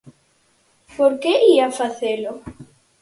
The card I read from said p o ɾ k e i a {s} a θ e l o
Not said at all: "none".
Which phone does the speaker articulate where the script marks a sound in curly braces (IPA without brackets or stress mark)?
f